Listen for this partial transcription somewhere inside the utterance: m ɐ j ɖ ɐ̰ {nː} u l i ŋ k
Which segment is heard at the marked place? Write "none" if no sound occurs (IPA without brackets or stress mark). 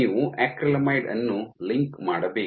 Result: nː